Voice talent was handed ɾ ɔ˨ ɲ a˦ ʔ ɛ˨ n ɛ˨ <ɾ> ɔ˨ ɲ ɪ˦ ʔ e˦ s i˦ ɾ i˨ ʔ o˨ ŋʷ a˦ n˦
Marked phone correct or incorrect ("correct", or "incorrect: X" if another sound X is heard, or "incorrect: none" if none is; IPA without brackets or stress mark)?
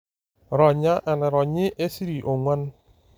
correct